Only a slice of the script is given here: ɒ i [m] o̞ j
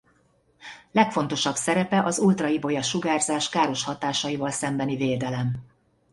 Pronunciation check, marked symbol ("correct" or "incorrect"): incorrect